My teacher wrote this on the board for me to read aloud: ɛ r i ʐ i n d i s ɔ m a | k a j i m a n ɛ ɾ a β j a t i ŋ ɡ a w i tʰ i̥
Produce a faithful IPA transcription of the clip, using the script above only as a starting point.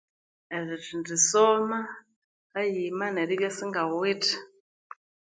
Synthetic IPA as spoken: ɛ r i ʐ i n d i s ɔ m a | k a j i m a n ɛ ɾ i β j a s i ŋ ɡ a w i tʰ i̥